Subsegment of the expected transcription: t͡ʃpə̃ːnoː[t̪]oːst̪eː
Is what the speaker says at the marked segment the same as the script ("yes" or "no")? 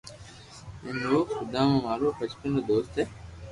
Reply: no